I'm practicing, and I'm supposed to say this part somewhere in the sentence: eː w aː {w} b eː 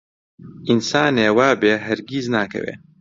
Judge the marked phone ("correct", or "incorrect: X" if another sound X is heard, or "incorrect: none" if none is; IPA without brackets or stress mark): incorrect: none